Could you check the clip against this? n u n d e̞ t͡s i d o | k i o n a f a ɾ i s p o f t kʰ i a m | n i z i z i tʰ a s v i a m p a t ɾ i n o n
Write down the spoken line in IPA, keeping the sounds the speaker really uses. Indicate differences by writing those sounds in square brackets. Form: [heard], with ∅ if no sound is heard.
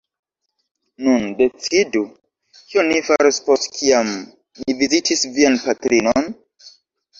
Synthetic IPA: n u n d e̞ t͡s i d [u] | k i o n [i] f a ɾ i s p o [s] t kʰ i a m | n i [v] i z i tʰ [i] s v i a [n] p a t ɾ i n o n